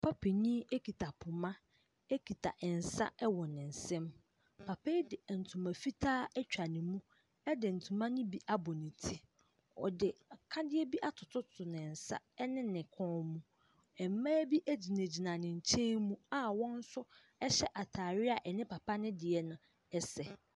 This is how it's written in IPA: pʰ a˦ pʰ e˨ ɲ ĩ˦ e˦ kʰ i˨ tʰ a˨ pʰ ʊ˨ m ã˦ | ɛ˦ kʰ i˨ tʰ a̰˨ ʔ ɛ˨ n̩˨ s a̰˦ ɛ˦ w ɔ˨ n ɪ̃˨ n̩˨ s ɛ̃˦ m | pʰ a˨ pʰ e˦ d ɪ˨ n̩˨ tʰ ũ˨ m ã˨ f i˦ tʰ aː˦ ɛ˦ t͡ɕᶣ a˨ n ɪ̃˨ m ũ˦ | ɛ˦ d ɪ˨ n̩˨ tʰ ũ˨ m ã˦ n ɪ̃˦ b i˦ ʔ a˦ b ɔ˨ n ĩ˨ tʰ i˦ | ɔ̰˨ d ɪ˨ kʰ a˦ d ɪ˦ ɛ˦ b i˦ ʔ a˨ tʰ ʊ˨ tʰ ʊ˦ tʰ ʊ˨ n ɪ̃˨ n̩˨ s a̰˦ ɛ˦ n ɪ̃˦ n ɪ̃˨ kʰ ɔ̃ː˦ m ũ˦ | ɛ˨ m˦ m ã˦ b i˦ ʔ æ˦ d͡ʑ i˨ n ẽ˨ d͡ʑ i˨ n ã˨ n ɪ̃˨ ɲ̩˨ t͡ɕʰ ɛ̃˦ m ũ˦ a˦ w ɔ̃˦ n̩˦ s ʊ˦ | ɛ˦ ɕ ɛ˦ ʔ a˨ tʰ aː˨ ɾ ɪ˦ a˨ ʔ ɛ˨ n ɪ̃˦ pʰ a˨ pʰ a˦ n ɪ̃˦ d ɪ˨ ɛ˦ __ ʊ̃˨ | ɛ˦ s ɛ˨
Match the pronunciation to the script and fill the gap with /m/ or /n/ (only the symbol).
n